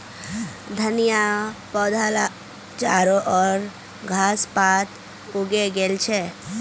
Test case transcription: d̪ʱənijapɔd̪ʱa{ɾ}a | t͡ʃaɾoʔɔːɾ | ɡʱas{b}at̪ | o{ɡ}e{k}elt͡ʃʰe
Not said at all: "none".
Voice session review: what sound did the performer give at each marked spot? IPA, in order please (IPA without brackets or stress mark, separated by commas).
l, p, ɡ, ɡ